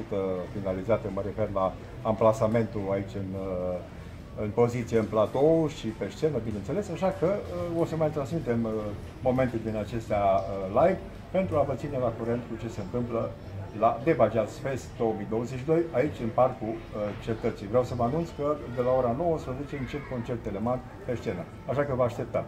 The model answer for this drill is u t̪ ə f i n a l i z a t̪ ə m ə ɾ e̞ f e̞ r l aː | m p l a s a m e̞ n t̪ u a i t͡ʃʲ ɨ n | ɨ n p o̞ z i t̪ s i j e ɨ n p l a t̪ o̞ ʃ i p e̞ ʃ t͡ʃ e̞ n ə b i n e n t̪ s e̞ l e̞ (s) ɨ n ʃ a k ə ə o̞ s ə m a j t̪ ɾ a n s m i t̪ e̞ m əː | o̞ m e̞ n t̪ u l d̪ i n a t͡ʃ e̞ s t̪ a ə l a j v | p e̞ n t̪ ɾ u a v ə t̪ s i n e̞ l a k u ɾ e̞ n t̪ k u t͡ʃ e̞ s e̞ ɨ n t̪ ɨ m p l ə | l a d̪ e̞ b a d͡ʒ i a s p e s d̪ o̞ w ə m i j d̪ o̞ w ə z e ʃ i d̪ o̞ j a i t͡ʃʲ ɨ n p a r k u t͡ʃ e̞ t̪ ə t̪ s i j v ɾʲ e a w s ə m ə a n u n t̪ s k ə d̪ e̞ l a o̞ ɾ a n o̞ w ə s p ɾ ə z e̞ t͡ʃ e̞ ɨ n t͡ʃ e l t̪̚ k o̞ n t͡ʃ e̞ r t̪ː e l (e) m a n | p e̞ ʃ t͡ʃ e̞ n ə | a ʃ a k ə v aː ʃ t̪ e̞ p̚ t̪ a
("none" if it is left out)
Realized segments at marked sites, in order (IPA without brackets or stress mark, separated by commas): s, e